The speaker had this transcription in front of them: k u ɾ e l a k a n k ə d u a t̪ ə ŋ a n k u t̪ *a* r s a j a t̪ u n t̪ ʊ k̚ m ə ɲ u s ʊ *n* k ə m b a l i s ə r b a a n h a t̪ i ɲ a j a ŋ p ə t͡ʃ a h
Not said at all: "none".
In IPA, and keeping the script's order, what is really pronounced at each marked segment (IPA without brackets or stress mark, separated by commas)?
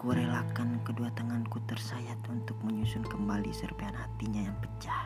ə, n